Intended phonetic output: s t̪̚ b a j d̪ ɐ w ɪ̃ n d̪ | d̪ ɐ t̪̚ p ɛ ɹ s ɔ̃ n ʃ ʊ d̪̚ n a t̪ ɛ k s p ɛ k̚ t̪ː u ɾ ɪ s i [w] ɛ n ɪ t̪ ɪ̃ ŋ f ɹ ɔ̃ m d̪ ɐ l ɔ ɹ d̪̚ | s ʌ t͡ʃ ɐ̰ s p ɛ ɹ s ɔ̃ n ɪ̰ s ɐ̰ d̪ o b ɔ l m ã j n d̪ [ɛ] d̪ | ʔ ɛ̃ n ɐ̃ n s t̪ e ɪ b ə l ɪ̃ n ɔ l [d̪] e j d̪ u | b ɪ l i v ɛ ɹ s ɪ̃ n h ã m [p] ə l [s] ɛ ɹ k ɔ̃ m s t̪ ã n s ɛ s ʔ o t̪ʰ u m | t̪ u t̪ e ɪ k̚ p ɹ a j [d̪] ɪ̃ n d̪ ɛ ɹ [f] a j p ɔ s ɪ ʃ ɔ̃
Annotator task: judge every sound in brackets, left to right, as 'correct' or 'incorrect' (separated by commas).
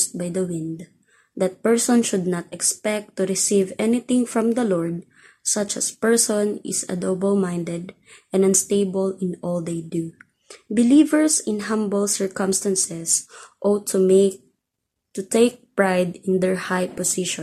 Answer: incorrect, correct, correct, incorrect, correct, correct, incorrect